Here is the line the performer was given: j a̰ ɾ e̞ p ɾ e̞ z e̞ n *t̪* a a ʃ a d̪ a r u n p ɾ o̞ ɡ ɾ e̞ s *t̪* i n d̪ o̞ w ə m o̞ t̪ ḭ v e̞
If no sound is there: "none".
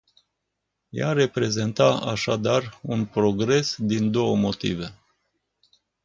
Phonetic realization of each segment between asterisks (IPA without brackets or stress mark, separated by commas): t̪, d̪